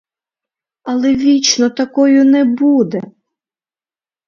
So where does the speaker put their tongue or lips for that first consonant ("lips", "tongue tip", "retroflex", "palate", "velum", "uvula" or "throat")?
tongue tip